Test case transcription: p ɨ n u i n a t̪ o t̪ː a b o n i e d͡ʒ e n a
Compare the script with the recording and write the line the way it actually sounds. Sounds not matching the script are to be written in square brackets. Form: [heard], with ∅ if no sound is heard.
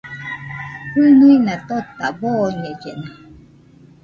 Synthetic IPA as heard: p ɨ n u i n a t̪ o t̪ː a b o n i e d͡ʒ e n a